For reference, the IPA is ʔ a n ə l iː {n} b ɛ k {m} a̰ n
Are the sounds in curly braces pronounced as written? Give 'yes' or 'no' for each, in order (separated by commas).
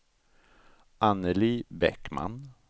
no, yes